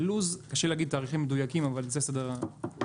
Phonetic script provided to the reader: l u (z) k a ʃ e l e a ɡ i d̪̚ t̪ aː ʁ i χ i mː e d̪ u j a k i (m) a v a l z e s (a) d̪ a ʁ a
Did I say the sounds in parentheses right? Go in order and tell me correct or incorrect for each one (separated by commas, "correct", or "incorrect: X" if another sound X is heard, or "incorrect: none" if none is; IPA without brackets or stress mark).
correct, correct, correct